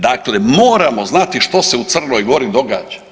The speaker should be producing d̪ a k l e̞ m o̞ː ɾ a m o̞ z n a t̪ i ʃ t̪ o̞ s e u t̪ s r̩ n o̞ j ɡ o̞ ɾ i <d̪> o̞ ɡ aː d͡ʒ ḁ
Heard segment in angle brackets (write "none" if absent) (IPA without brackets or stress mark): d̪